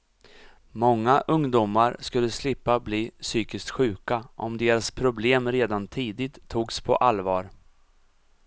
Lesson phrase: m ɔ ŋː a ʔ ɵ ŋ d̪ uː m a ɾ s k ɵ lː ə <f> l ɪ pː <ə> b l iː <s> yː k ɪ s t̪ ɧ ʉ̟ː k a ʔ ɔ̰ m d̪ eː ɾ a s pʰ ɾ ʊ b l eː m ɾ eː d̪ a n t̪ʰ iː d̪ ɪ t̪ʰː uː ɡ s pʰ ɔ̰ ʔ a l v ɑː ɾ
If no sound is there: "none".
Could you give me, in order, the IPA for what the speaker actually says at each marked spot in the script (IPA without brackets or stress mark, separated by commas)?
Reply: s, a, s